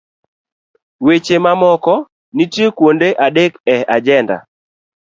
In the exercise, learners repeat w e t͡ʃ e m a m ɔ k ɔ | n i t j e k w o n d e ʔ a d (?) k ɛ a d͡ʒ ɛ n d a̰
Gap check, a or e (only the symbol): e